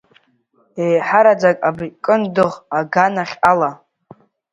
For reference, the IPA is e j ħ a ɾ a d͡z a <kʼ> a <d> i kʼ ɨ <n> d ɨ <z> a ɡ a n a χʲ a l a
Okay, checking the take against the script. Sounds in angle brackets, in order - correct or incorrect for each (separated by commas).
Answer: correct, incorrect, correct, incorrect